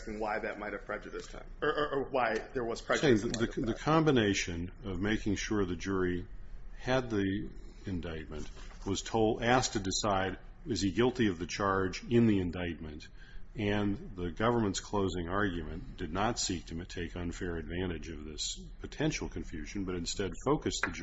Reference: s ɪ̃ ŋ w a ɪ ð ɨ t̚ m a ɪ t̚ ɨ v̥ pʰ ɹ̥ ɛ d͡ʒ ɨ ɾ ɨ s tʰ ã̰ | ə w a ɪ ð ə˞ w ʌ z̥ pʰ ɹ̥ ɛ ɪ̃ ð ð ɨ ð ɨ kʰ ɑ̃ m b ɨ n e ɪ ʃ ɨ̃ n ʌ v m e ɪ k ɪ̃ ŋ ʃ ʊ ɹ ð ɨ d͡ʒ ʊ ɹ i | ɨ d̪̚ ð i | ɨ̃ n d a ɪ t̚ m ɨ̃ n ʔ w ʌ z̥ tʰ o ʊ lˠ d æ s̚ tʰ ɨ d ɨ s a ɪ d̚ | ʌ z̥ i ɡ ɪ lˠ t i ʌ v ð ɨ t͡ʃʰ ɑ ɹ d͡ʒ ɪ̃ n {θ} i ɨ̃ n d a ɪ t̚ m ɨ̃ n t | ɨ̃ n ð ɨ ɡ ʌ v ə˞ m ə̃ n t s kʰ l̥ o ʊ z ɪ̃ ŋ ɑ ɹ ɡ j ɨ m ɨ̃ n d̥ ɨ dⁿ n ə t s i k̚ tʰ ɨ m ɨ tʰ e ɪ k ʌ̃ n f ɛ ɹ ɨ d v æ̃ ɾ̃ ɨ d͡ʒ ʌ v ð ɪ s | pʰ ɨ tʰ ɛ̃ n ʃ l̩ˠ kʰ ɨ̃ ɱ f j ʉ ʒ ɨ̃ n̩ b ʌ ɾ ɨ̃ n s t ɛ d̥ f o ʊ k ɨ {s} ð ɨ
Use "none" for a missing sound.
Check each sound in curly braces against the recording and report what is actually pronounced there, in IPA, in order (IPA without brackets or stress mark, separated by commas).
ð, s